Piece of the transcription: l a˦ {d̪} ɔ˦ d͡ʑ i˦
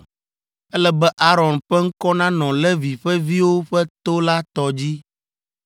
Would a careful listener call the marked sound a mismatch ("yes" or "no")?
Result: yes